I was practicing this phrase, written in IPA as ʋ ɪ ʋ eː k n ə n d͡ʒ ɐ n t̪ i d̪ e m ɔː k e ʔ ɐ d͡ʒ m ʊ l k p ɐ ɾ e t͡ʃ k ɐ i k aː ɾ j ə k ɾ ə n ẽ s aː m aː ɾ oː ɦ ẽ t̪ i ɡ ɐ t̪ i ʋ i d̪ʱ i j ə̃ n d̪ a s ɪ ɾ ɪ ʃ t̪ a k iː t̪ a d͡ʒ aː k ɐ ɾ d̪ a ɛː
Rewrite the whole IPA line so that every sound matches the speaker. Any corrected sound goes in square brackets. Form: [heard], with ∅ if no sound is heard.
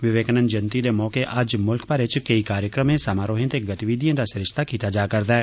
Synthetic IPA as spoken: ʋ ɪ ʋ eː k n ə n d͡ʒ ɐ n t̪ i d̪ e m ɔː k e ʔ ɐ d͡ʒ m ʊ l k p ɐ ɾ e t͡ʃ k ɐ i k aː ɾ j ə k ɾ ə [m] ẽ s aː m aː ɾ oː ɦ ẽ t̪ [e] ɡ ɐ t̪ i ʋ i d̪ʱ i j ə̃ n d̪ a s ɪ ɾ ɪ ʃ t̪ a k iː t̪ a d͡ʒ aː k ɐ ɾ d̪ a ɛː